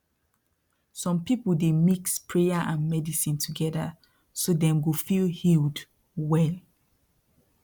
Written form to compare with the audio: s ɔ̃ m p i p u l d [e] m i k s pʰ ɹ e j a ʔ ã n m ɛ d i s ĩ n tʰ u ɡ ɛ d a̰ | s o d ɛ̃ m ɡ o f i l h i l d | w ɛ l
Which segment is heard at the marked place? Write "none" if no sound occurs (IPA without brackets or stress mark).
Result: e